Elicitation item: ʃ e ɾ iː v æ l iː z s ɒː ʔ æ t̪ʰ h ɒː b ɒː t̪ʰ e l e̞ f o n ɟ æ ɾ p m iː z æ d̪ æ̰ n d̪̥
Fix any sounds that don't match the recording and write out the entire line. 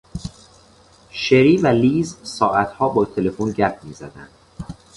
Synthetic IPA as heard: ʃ e ɾ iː v æ l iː z s ɒː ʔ æ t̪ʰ h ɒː b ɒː t̪ʰ e l e̞ f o n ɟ æ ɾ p m iː z æ d̪ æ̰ n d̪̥